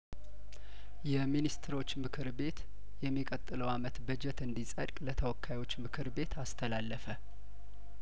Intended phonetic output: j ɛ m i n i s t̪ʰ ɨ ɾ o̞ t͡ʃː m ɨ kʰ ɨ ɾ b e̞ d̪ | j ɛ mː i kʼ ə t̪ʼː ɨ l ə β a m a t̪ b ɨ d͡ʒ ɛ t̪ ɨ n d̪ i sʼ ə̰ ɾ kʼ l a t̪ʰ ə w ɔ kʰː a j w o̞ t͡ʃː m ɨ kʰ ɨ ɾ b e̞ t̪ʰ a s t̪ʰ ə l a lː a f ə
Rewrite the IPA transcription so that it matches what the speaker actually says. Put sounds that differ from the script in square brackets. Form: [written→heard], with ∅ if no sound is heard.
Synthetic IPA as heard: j ɛ m i n i s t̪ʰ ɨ ɾ o̞ t͡ʃː m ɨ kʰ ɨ ɾ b e̞ [d̪→t̪] | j ɛ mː i kʼ ə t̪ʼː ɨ l ə [β→w] a m [a→ə] t̪ b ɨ d͡ʒ ɛ t̪ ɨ n d̪ i sʼ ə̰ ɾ kʼ l [a→ə] t̪ʰ ə w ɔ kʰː a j w o̞ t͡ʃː m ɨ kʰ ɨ ɾ b e̞ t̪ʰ a s t̪ʰ ə l a lː [a→ə] f ə